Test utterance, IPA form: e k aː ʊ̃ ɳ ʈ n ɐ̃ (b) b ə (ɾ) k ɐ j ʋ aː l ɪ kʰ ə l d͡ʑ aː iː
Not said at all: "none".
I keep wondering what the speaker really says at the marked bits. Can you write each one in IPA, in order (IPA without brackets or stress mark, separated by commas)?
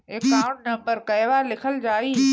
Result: m, ɾ